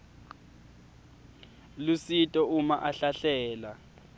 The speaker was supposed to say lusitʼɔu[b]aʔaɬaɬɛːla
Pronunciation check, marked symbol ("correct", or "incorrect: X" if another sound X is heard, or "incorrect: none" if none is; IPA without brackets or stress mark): incorrect: m